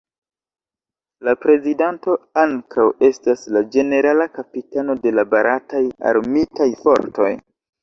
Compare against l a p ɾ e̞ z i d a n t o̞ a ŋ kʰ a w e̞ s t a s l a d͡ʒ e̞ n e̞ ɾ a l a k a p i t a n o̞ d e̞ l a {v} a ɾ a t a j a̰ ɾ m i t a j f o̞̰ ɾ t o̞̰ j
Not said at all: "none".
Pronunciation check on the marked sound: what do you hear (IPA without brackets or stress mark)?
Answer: b